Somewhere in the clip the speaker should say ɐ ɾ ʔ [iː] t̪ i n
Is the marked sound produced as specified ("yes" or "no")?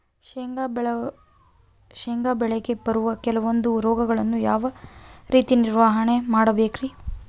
yes